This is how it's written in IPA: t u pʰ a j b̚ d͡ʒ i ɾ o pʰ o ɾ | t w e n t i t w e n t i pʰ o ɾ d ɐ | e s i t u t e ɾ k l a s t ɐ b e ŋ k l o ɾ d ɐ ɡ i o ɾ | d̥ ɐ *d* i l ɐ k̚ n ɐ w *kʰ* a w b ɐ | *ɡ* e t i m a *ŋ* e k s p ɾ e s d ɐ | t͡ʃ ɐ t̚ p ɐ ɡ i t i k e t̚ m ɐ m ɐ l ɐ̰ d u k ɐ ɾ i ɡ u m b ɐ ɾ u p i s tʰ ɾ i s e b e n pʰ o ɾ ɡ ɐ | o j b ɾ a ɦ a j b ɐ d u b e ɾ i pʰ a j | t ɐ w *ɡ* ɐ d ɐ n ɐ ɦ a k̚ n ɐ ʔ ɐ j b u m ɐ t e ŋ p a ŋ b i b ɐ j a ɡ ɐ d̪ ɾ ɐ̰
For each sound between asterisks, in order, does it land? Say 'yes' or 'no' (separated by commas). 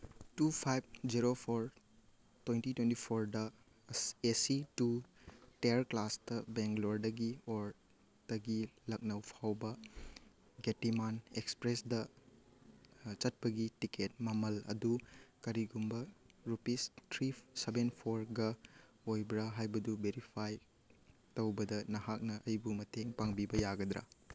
no, no, yes, no, no